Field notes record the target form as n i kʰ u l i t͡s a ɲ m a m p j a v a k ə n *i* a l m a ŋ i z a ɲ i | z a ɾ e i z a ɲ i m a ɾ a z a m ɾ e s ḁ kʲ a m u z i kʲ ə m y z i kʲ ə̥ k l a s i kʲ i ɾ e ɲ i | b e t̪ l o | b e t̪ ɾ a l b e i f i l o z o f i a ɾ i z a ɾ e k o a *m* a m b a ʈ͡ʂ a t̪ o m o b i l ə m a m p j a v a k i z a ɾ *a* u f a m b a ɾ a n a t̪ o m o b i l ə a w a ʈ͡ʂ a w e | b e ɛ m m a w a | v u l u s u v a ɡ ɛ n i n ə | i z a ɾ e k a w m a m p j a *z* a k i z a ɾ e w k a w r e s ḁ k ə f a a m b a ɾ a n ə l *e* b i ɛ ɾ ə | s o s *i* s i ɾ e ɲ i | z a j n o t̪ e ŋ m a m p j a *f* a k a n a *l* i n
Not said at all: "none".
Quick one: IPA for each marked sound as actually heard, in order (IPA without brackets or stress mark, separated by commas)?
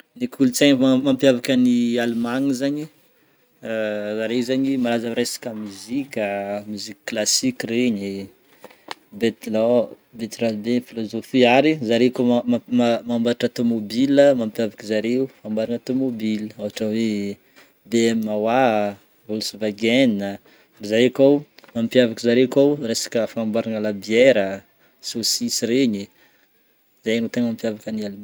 i, m, e, v, a, i, v, l